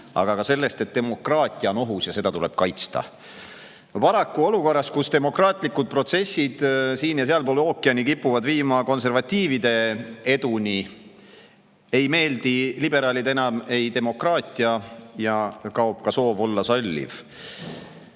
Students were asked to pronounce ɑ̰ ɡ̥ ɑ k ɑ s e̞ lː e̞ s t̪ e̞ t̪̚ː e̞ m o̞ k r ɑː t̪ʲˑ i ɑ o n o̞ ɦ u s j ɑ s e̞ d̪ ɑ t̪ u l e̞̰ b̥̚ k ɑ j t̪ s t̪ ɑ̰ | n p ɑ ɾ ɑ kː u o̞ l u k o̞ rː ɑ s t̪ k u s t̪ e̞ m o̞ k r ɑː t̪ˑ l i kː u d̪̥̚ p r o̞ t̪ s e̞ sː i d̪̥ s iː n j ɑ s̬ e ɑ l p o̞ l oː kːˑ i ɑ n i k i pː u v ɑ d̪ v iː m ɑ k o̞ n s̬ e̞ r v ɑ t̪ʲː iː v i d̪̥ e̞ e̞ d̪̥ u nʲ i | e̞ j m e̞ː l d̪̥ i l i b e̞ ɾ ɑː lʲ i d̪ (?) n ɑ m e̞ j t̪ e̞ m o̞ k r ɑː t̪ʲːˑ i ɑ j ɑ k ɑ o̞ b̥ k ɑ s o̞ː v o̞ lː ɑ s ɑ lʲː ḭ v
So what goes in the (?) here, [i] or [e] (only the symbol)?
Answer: e